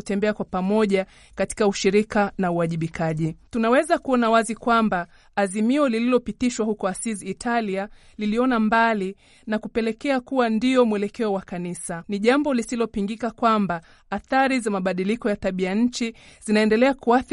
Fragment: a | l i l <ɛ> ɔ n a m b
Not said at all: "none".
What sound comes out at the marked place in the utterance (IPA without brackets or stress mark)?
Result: i